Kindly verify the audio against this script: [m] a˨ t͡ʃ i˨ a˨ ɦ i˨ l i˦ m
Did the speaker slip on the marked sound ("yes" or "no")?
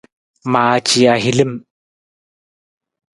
no